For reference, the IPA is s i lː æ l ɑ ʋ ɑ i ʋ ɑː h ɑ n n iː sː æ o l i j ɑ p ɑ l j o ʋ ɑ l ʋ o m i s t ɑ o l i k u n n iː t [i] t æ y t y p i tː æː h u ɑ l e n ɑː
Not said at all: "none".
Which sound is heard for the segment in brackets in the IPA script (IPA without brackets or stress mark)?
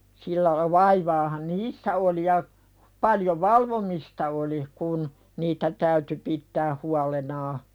æ